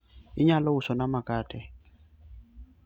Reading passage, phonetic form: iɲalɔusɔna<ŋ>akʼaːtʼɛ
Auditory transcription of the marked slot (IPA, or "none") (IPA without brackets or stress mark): m